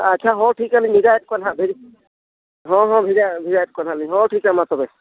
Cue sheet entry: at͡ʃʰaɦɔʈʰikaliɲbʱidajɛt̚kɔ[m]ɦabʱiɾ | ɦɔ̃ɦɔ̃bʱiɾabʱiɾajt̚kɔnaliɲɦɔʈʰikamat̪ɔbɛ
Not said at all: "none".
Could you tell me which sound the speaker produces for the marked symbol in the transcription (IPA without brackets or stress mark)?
n